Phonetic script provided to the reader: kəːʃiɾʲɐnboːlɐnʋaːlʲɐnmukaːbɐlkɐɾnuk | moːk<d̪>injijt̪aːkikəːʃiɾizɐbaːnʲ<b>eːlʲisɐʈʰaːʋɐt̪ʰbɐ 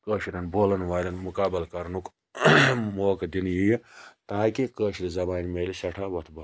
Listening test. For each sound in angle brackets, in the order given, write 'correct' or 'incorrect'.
correct, incorrect

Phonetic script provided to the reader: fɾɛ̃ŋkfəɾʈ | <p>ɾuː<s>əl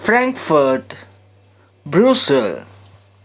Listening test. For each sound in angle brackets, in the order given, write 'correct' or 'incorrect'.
incorrect, correct

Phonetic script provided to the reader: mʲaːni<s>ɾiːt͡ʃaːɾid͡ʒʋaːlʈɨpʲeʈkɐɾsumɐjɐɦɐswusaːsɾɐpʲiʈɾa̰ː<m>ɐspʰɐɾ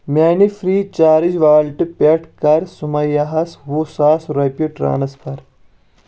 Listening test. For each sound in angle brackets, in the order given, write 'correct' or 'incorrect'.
incorrect, incorrect

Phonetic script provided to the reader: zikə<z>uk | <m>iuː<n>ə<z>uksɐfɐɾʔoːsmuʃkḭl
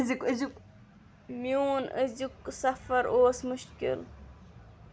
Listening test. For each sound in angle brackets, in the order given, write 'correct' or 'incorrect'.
correct, correct, correct, correct

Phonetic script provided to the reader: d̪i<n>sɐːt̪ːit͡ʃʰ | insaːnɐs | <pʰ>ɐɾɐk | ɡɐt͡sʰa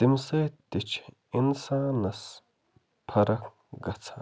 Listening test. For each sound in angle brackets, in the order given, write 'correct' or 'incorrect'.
incorrect, correct

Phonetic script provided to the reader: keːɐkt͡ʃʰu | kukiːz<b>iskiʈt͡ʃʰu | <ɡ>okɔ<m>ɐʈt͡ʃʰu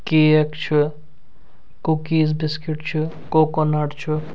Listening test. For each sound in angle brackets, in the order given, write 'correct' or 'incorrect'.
correct, incorrect, incorrect

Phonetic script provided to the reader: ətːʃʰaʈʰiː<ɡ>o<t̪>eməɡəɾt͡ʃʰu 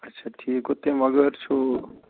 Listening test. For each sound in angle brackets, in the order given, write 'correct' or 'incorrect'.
incorrect, correct

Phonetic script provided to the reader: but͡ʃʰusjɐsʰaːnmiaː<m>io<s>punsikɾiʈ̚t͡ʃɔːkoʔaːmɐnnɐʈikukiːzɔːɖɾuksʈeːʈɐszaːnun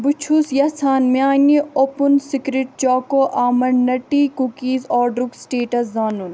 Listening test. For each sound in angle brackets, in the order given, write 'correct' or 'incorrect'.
incorrect, incorrect

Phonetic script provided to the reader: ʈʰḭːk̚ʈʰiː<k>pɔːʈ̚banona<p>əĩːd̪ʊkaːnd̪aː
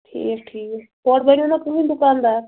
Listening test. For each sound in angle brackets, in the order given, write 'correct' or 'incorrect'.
correct, incorrect

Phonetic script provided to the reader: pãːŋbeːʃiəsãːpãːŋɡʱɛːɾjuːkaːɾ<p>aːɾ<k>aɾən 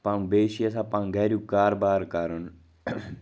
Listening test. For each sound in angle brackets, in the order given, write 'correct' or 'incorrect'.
incorrect, correct

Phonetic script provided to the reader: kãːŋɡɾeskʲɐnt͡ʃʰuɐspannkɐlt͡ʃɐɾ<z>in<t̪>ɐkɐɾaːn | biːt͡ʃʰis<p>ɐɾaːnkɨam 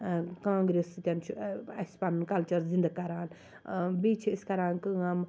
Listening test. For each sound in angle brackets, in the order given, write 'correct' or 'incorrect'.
correct, incorrect, incorrect

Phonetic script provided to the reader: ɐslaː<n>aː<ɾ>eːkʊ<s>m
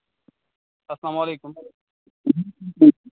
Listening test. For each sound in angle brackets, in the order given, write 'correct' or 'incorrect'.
incorrect, incorrect, incorrect

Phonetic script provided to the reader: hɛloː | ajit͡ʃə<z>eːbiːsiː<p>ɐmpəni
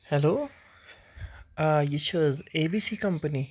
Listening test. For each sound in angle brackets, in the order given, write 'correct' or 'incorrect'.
correct, incorrect

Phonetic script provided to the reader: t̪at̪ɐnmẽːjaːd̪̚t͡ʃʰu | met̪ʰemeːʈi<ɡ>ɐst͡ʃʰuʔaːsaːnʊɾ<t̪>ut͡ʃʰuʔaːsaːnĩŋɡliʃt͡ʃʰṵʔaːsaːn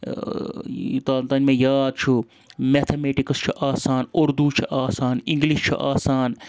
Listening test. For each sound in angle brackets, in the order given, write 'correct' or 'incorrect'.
incorrect, incorrect

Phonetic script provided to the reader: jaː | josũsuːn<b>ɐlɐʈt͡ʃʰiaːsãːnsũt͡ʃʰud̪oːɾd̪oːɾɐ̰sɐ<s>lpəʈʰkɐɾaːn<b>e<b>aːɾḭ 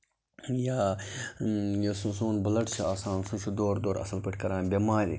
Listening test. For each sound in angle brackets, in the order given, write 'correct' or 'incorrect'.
correct, incorrect, correct, incorrect

